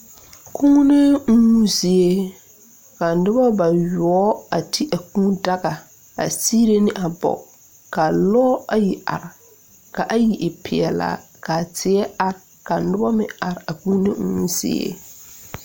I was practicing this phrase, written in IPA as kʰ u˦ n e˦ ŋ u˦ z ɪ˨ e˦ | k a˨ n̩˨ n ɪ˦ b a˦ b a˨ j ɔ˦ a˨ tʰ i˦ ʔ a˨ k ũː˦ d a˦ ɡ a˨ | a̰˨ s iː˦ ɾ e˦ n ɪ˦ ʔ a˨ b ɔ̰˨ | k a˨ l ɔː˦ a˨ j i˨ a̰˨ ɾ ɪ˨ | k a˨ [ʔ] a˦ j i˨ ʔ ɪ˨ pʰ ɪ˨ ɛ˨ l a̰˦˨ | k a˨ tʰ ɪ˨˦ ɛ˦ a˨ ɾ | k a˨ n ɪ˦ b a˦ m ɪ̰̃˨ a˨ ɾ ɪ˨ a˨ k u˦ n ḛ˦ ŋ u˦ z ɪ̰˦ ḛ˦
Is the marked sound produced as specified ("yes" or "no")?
yes